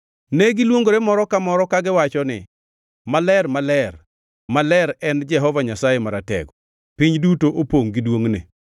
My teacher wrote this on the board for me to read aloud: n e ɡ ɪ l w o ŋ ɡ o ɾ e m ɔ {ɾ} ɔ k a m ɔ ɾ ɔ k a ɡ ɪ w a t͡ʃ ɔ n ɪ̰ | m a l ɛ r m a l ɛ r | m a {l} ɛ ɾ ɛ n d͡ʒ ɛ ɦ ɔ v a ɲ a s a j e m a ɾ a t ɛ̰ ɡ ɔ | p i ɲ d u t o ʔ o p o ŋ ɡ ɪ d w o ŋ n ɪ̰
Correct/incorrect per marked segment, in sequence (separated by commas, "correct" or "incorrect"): correct, correct